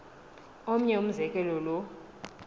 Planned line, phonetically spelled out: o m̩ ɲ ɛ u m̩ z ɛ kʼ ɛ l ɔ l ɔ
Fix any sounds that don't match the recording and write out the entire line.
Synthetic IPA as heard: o m̩ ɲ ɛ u m̩ z ɛ kʼ ɛ l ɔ l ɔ

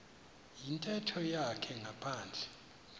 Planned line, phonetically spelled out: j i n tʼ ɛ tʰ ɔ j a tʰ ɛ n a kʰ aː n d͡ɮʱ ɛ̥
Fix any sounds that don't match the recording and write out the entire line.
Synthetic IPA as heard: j i n tʼ ɛ tʰ ɔ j a kʰ ɛ ŋ a pʰ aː n d͡ɮʱ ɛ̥

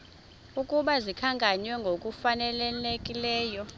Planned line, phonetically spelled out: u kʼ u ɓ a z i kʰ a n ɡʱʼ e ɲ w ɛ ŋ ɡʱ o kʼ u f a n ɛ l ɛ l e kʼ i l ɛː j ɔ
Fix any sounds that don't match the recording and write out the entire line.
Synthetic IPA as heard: u kʼ u ɓ a z i kʰ a ŋ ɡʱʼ a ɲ w ɛ ŋ ɡʱ o kʼ u f a n ɛ l ɛ l e kʼ i l ɛː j ɔ

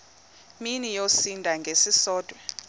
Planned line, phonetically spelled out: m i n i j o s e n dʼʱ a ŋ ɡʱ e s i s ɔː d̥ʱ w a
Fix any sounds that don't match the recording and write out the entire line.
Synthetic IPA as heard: m i n i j o s i n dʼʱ a ŋ ɡʱ e s i s ɔː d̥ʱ w ɛ

